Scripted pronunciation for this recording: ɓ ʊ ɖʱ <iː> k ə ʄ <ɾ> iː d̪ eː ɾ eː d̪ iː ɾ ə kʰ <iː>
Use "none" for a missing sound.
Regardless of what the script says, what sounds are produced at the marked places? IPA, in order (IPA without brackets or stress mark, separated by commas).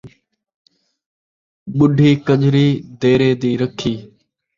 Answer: iː, ɾ, iː